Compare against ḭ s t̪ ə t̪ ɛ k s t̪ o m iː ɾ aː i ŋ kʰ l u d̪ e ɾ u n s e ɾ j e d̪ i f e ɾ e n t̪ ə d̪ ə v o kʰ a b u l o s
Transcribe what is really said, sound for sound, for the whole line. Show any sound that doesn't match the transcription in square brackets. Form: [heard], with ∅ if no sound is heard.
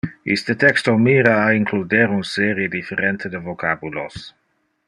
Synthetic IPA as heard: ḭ s t̪ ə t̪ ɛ k s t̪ o m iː ɾ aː i ŋ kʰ l u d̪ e ɾ u n s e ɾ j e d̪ i f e ɾ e n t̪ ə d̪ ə v o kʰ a b u l o s